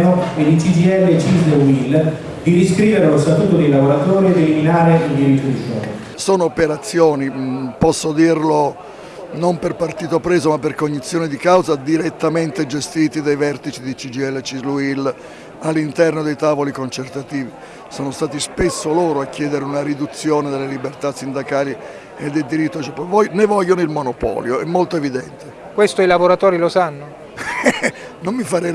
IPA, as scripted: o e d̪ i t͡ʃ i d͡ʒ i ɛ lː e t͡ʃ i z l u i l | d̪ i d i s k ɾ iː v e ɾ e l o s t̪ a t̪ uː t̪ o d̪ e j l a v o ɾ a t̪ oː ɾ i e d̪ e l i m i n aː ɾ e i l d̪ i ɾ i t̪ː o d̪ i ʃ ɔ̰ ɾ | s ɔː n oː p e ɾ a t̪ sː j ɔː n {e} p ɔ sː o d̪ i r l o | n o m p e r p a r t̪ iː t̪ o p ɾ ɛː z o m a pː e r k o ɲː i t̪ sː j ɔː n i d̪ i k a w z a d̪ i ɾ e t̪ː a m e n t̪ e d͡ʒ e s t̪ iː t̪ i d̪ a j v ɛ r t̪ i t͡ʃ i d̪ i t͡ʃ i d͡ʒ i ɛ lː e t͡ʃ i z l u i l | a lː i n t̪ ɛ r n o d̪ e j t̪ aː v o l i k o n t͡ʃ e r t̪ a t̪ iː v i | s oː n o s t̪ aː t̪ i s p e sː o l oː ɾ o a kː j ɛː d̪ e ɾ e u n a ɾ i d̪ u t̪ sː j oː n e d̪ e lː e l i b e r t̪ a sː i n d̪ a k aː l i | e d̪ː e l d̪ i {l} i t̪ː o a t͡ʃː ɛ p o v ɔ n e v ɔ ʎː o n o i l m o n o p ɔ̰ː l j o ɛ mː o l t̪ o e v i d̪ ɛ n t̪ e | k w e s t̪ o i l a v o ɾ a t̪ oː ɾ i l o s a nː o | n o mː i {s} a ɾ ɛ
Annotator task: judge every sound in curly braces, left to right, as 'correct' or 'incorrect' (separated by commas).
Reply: incorrect, incorrect, incorrect